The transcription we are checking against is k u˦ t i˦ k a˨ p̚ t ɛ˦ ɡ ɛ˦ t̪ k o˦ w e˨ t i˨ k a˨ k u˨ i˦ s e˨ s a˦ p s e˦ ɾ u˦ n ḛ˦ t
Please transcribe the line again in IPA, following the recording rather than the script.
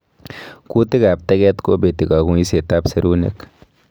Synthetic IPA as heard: k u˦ t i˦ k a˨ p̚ t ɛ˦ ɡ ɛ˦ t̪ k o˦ b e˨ t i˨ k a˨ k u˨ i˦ s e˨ t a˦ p s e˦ ɾ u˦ n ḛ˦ k